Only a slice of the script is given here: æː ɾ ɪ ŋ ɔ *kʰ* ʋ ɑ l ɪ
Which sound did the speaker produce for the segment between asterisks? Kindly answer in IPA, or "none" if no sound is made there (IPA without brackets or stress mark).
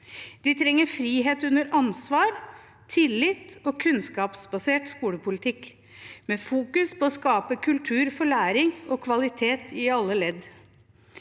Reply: kʰ